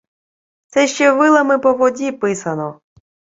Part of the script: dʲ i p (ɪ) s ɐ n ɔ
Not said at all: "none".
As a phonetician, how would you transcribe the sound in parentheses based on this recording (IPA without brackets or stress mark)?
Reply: ɪ